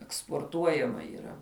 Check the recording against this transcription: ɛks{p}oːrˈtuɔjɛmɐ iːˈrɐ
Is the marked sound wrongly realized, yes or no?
no